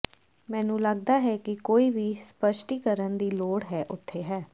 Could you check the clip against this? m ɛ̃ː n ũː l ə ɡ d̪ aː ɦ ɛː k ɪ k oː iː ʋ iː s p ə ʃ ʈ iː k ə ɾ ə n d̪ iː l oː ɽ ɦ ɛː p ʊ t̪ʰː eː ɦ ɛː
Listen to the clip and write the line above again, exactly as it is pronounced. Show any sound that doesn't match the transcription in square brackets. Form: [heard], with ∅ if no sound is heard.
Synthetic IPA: m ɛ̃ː n ũː l ə ɡ d̪ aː ɦ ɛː k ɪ k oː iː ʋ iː s p ə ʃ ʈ iː k ə ɾ ə n d̪ iː l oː ɽ ɦ ɛː [ʔ] ʊ t̪ʰː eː ɦ ɛː